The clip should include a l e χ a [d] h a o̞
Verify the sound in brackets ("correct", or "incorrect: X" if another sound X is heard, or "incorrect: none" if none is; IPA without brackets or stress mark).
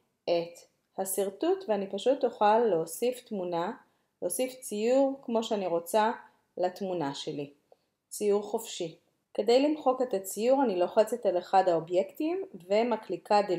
correct